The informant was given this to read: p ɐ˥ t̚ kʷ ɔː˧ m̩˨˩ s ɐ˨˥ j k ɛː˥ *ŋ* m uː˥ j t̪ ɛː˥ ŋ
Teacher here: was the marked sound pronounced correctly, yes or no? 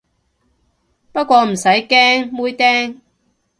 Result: yes